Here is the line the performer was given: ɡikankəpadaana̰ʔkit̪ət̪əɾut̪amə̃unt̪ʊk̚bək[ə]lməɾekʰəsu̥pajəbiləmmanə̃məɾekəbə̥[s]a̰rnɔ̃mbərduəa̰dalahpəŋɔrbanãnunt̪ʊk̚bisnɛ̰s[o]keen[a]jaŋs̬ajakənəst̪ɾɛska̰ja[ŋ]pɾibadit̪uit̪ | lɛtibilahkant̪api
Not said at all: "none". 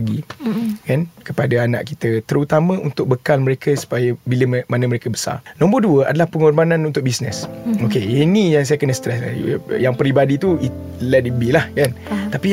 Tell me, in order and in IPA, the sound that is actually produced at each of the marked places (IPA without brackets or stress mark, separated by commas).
a, s, o, i, ŋ